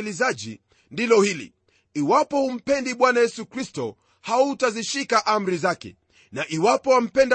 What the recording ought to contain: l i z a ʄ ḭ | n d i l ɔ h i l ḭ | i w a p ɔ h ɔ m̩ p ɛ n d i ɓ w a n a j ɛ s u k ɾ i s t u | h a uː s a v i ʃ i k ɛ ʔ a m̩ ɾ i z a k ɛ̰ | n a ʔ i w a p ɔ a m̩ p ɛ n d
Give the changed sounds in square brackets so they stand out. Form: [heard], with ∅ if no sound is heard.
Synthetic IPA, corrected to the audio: l i z a ʄ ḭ | n d i l ɔ h i l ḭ | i w a p ɔ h [u] m̩ p ɛ n d i ɓ w a n a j ɛ s u k ɾ i s t [ɔ] | h a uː [t] a [z] i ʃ i k [a] ʔ a m̩ ɾ i z a k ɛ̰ | n a ʔ i w a p ɔ a m̩ p ɛ n d